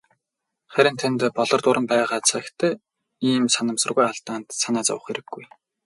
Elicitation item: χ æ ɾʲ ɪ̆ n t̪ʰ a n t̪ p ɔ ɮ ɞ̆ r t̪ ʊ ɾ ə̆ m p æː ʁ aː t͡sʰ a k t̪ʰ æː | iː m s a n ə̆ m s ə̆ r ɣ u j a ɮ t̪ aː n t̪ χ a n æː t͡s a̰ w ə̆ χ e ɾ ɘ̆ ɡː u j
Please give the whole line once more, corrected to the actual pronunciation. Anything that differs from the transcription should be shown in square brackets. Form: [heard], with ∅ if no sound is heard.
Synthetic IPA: χ æ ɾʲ ɪ̆ n t̪ʰ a n t̪ p ɔ ɮ ɞ̆ r t̪ ʊ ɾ ə̆ m p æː ʁ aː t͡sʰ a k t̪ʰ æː | iː m s a n ə̆ m s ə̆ r ɣ u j a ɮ t̪ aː n t̪ [s] a n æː t͡s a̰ w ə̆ χ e ɾ ɘ̆ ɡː u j